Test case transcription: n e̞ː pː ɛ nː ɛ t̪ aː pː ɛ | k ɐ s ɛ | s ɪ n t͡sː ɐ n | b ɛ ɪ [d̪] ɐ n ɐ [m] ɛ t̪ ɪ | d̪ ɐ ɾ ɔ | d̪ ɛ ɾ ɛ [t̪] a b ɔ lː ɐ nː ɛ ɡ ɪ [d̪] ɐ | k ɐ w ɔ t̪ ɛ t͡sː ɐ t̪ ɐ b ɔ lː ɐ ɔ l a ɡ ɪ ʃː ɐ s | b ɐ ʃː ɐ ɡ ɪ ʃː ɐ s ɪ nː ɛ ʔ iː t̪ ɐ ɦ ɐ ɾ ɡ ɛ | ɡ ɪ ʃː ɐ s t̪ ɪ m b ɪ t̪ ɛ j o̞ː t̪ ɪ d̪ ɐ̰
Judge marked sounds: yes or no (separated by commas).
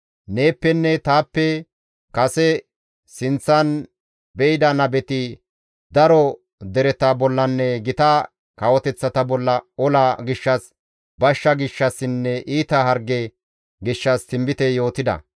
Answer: yes, no, yes, no